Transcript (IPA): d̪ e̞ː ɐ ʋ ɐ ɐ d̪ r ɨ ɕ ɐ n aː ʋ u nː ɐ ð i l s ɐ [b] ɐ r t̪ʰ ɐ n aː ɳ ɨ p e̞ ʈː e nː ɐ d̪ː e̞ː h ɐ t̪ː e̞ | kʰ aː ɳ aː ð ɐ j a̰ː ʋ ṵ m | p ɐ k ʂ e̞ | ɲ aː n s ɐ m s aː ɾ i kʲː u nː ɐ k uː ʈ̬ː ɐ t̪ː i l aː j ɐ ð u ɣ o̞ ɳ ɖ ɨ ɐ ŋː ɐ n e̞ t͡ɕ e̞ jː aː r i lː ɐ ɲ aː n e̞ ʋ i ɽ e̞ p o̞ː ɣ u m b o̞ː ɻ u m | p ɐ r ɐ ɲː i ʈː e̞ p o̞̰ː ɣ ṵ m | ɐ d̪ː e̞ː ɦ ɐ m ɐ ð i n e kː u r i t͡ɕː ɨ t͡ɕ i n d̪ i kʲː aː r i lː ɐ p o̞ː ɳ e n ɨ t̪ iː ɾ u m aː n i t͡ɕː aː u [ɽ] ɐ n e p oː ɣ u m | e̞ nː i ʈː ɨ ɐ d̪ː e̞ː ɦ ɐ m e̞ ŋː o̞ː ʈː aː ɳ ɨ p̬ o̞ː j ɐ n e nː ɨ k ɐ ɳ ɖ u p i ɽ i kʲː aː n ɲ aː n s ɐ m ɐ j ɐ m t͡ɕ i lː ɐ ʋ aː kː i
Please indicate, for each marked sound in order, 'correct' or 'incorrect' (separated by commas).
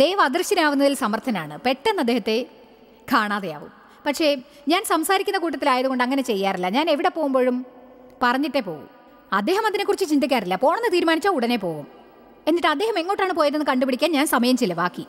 incorrect, correct